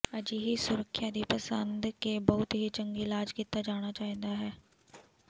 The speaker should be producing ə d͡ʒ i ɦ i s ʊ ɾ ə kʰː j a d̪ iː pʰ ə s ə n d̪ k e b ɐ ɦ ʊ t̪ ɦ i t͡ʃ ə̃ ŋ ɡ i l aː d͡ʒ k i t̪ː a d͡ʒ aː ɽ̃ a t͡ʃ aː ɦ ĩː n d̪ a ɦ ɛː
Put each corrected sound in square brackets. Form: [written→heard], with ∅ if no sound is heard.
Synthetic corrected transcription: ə d͡ʒ i ɦ i s ʊ ɾ ə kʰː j a d̪ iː [pʰ→p] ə s ə n d̪ k e b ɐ ɦ ʊ t̪ ɦ i t͡ʃ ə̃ ŋ ɡ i l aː d͡ʒ k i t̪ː a d͡ʒ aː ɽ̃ a t͡ʃ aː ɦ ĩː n d̪ a ɦ ɛː